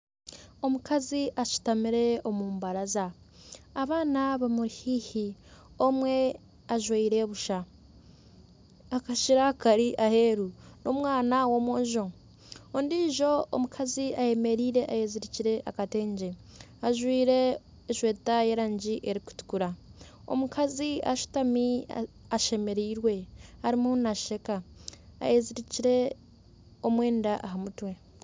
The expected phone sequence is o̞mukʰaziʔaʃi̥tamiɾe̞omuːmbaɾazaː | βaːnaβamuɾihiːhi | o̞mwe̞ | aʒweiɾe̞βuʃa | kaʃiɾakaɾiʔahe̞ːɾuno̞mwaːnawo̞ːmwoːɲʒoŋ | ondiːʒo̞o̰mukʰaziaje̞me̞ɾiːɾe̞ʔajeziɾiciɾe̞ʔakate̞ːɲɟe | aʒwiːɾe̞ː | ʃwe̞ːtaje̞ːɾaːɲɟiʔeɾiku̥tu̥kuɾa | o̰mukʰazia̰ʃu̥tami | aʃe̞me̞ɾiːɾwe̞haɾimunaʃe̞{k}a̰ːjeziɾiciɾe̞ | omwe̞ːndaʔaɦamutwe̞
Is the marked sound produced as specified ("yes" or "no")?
yes